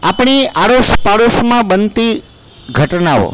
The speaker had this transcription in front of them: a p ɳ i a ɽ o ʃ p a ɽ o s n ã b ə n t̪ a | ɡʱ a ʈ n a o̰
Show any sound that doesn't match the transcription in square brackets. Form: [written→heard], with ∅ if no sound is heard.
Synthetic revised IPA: a p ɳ i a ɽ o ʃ p a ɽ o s [n→m] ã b ə n t̪ [a→i] | ɡʱ [a→ə] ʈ n a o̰